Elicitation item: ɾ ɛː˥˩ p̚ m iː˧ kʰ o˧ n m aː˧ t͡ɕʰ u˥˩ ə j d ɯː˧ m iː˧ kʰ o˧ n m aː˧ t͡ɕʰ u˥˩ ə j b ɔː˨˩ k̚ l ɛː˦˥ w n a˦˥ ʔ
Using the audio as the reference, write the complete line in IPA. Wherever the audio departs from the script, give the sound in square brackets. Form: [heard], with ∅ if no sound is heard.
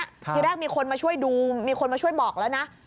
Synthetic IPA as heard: ɾ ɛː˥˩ [k̚] m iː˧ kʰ o˧ n m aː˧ t͡ɕʰ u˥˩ ə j d [uː˧] m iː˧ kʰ o˧ n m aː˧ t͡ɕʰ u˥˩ ə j b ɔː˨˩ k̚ l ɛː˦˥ w n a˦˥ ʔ